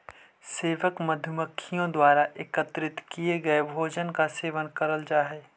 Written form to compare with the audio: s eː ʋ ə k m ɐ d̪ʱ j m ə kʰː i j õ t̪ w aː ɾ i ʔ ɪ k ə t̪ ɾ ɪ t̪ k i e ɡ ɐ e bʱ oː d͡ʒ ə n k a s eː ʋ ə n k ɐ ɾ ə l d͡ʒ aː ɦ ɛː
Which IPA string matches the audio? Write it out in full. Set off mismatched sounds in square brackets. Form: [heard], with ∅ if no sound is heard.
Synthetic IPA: s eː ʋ ə k m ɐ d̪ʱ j m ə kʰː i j õ [d̪] w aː ɾ [a] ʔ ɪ k ə t̪ ɾ ɪ t̪ k i e ɡ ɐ e bʱ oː d͡ʒ ə n k a s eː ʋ ə n k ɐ ɾ ə l d͡ʒ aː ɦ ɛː

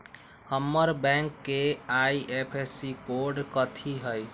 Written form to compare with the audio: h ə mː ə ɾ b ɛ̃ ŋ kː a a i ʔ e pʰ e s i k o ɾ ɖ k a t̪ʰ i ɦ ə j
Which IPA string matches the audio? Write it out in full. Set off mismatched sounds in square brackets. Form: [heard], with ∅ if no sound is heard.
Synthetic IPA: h ə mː ə ɾ b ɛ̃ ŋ kː [e] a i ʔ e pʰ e s i k o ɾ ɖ k [ə] t̪ʰ i ɦ ə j

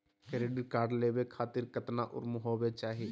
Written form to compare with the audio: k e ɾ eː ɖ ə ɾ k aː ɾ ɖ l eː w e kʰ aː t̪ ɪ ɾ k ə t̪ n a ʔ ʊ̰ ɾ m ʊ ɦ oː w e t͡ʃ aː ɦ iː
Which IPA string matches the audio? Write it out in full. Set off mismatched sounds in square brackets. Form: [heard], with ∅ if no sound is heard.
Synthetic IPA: k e ɾ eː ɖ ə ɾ k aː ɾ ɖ l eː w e kʰ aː t̪ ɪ ɾ k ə t̪ n a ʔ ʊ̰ ɾ m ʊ ɦ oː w e t͡ʃ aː ɦ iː

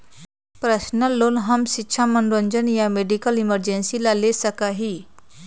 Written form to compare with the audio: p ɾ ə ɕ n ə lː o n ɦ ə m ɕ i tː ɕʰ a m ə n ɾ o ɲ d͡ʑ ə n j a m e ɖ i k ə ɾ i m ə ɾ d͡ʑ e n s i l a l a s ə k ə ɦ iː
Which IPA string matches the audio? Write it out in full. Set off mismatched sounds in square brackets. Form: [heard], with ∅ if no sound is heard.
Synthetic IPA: p ɾ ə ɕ n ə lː o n ɦ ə m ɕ i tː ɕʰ a m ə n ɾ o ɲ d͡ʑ ə n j a m e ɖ i k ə [l] i m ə ɾ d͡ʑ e n s i l a l [e] s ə k [a] ɦ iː

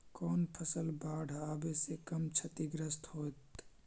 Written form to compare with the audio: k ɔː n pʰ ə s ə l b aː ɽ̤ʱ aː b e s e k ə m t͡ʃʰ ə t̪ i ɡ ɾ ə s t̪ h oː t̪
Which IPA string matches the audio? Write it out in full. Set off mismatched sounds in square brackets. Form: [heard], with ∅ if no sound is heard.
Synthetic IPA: k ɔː n pʰ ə s ə l b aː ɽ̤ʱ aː b e s e k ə m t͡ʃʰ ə t̪ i ɡ ɾ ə s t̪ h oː t̪

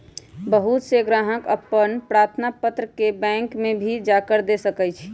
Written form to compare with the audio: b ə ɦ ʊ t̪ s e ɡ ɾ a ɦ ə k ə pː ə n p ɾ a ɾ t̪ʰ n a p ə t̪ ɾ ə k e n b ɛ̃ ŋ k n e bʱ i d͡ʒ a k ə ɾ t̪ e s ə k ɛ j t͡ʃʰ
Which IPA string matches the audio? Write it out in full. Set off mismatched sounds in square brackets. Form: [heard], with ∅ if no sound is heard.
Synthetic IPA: b ə ɦ [u] t̪ s e ɡ ɾ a ɦ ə k ə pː ə n p ɾ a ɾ t̪ʰ n a p ə t̪ ɾ ə k e [∅] b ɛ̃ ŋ k [m] e bʱ i d͡ʒ a k ə ɾ [d̪] e s ə k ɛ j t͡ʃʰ

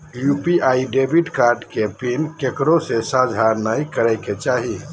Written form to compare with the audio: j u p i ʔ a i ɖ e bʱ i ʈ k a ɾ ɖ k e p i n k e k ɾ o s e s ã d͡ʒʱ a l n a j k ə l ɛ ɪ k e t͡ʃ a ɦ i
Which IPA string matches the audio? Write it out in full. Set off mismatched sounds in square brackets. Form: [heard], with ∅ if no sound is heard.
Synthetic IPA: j u p i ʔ a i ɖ e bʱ i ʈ k a ɾ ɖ k e p i n k e k ɾ o s e s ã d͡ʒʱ a [ɾ] n a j k ə [ɾ] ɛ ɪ k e t͡ʃ a ɦ i

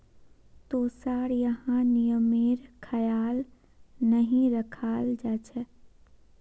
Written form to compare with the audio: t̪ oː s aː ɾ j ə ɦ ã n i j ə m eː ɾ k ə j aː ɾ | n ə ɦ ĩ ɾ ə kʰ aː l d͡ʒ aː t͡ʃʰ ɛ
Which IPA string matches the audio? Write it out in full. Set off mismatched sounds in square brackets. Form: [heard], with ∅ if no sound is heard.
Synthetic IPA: t̪ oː s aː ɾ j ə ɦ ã n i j ə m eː ɾ [kʰ] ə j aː [l] | n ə ɦ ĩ ɾ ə kʰ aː l d͡ʒ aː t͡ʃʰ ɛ

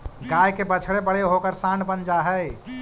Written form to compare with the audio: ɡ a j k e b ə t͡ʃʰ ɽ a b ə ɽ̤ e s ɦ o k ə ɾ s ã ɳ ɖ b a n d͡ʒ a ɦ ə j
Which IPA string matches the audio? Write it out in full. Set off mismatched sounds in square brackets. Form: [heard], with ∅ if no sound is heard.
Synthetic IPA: ɡ a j k e b ə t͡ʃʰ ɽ [e] b ə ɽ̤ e [∅] ɦ o k ə ɾ s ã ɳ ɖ b [ə] n d͡ʒ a ɦ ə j

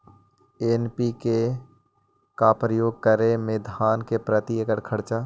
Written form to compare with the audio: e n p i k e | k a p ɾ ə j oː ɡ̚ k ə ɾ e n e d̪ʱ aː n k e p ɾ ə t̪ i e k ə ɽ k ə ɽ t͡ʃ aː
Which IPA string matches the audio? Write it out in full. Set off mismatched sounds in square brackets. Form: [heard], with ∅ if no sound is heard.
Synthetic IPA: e n p i k e | k a p ɾ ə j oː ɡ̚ k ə ɾ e [m] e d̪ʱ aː n k e p ɾ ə t̪ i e k ə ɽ [kʰ] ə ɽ t͡ʃ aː

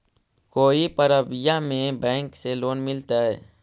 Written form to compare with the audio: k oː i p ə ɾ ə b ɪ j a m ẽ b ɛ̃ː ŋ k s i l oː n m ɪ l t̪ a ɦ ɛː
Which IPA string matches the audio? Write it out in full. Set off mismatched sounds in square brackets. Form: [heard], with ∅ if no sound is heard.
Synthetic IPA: k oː i p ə ɾ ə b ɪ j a m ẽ b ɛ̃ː ŋ k s [e] l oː n m ɪ l t̪ a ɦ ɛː

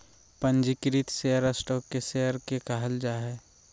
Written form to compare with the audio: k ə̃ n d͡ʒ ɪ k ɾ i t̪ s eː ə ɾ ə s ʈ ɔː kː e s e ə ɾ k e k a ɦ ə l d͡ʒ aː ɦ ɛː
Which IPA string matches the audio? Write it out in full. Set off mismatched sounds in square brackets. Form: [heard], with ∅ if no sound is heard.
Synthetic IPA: [p] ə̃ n d͡ʒ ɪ k ɾ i t̪ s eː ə ɾ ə s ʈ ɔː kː e s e ə ɾ k e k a ɦ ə l d͡ʒ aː ɦ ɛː

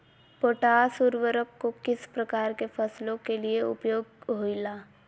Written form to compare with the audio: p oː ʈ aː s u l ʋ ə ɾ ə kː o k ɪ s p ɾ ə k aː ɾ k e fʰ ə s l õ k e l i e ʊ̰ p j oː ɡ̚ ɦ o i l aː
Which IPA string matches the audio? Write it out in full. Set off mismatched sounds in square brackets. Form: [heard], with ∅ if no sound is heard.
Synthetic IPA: p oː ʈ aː s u [ɾ] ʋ ə ɾ ə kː o k ɪ s p ɾ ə k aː ɾ k e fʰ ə s l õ k e l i e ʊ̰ p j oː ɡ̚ ɦ o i l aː

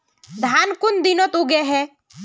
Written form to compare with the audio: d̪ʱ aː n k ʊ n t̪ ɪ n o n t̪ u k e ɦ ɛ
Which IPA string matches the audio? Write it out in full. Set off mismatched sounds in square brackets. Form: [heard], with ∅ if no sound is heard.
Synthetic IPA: d̪ʱ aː n k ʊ n [d̪] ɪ n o [∅] t̪ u [ɡ] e ɦ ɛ

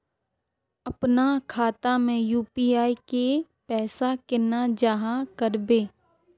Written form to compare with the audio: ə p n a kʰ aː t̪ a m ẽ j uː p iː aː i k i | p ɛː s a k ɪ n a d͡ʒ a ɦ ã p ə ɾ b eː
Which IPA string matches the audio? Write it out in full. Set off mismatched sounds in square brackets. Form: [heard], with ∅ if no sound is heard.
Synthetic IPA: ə p n a kʰ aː t̪ a m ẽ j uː p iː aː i k [e] | p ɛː s a k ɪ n a d͡ʒ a ɦ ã [k] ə ɾ b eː

